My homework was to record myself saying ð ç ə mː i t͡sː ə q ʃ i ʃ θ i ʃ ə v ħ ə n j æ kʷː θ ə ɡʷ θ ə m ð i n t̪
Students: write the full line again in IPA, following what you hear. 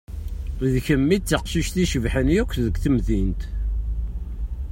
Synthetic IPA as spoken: ð ç ə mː i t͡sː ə q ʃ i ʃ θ i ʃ ə v ħ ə n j æ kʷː ð ə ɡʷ θ ə m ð i n t̪